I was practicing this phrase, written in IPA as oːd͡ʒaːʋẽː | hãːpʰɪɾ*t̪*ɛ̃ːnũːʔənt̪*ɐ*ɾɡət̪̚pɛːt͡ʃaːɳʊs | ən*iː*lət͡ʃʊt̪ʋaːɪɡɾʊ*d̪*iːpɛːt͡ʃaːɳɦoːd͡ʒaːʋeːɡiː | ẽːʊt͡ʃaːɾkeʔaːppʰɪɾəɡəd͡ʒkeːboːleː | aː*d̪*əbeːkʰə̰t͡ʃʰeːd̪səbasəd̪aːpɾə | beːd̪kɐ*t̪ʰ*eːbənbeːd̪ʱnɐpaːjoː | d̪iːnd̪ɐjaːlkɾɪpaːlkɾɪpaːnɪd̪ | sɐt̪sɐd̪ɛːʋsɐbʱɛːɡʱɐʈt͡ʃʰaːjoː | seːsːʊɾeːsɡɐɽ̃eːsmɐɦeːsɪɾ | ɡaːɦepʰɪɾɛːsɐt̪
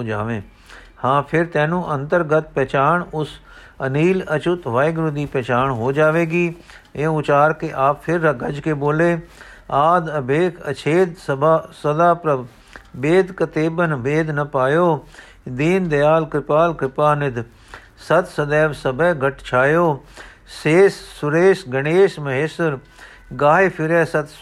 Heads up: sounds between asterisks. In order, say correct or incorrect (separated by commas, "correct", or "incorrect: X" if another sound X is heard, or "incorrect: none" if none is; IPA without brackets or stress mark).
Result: correct, incorrect: ə, correct, correct, correct, incorrect: t̪